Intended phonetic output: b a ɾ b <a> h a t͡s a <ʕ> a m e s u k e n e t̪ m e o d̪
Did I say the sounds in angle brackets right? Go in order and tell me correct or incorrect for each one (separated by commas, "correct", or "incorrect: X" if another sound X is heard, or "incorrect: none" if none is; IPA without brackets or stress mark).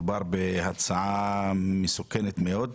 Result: incorrect: e, correct